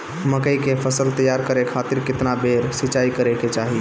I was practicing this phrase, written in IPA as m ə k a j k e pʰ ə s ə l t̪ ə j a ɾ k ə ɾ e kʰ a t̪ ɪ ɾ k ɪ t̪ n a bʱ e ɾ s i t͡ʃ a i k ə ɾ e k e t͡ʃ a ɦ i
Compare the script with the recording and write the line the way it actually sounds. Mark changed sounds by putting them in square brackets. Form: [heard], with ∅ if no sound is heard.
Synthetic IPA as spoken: m ə k [ə] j k e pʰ ə s ə l t̪ ə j a ɾ k ə ɾ e kʰ a t̪ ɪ ɾ k ɪ t̪ n a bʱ e ɾ s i t͡ʃ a i k ə ɾ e k e t͡ʃ a ɦ i